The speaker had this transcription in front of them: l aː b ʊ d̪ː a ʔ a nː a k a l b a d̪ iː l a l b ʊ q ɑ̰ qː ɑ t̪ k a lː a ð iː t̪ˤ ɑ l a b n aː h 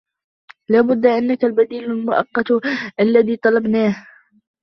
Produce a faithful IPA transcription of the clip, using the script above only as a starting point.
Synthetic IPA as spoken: l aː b ʊ d̪ː a ʔ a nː a k a l b a d̪ iː l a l m ʊ ʔ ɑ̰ qː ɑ t̪ ʔ a lː a ð iː t̪ˤ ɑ l ɑ b n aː h